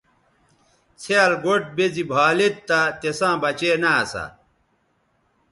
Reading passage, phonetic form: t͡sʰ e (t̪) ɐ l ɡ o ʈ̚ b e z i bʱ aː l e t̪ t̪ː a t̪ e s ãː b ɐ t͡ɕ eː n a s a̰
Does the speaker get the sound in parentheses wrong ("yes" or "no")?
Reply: yes